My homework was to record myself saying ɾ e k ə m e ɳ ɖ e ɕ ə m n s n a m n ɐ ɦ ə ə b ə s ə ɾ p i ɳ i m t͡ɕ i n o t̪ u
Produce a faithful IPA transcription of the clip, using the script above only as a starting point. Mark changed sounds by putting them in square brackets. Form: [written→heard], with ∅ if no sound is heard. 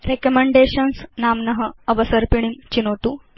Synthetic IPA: ɾ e k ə m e ɳ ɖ e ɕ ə [m→∅] n s n a m n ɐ ɦ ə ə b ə s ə ɾ p i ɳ i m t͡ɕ i n o t̪ u